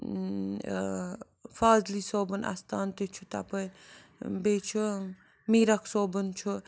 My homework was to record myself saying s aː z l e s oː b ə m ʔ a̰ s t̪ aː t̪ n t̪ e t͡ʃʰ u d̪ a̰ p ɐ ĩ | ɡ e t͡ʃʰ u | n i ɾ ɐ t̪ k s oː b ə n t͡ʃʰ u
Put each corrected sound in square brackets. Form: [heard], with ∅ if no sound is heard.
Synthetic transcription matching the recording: [f] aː z l [i] s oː b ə [n] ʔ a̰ s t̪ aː [∅] n t̪ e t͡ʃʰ u [t̪] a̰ p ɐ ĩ | [b] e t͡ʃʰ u | [m] i ɾ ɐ [∅] k s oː b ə n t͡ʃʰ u

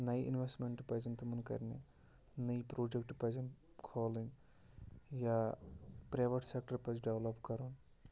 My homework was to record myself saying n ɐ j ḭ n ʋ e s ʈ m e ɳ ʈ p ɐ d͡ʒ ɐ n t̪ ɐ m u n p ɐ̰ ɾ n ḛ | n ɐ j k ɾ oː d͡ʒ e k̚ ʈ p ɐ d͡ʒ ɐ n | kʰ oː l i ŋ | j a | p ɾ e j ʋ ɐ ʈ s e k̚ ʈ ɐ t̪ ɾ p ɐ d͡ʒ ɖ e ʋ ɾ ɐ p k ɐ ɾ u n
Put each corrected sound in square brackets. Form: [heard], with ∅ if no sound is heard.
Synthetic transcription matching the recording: n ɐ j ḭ n ʋ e s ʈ m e ɳ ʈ p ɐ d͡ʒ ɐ n t̪ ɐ m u n [k] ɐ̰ ɾ n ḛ | n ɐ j [p] ɾ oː d͡ʒ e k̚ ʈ p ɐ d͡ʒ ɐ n | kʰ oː l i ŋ | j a | p ɾ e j ʋ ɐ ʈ s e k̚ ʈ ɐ [∅] ɾ p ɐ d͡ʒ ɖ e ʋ [l] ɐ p k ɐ ɾ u n

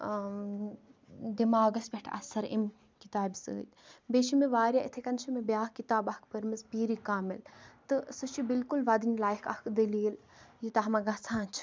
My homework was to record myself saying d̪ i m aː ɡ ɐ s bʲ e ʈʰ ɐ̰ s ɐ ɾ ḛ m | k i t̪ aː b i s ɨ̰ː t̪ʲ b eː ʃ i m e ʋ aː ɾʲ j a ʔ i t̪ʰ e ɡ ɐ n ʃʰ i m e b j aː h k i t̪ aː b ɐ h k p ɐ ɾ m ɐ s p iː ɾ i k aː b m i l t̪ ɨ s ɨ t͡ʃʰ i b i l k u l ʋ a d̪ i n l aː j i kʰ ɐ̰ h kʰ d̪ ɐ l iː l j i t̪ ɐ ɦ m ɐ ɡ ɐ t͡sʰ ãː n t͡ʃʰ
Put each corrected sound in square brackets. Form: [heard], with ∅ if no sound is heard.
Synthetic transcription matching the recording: d̪ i m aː ɡ ɐ s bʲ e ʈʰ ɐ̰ s ɐ ɾ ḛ m | k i t̪ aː b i s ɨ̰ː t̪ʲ b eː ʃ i m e ʋ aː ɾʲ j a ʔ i t̪ʰ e [k] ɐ n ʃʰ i m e b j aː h k i t̪ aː b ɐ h k p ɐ ɾ m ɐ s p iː ɾ i k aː [∅] m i l t̪ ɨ s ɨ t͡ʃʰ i b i l k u l ʋ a d̪ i n l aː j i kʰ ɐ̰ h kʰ d̪ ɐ l iː l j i t̪ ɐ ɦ m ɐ ɡ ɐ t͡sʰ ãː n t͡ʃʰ

